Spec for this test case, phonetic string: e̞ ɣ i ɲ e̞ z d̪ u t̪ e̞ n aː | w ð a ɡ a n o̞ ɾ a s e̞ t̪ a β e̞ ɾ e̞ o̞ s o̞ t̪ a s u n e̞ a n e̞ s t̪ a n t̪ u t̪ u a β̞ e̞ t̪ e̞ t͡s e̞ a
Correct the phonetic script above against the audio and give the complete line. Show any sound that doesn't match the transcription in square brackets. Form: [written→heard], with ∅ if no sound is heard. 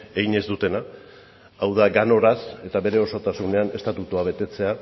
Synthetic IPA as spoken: e̞ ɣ i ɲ e̞ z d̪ u t̪ e̞ n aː | w ð a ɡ a n o̞ ɾ a s e̞ t̪ a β e̞ ɾ e̞ o̞ s o̞ t̪ a s u n e̞ a n e̞ s t̪ a [n→∅] t̪ u t̪ u a β̞ e̞ t̪ e̞ t͡s e̞ a